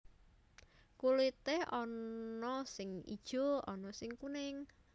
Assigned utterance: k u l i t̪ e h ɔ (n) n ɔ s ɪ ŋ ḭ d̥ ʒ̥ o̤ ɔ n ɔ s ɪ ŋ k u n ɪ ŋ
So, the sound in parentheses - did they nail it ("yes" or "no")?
yes